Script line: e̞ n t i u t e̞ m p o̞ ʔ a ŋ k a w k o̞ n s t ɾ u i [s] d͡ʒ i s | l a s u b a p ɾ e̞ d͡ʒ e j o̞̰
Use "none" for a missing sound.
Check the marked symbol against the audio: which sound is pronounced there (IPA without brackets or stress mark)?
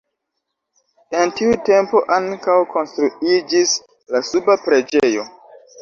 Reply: none